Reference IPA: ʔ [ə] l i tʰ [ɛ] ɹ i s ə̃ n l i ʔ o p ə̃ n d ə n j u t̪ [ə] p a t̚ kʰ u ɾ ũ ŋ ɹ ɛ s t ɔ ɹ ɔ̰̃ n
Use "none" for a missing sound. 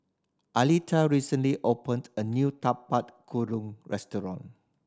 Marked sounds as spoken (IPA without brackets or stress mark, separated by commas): a, a, a